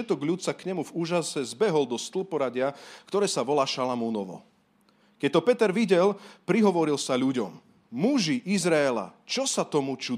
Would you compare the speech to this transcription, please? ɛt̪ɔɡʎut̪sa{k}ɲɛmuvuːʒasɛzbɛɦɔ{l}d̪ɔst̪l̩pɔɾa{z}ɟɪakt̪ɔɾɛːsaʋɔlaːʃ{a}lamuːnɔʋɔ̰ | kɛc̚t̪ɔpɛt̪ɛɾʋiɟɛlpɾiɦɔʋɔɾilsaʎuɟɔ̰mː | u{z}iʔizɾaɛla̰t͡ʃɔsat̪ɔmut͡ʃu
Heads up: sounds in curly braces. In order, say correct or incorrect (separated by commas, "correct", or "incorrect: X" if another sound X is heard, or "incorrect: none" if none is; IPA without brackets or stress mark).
correct, correct, incorrect: none, correct, incorrect: ʒ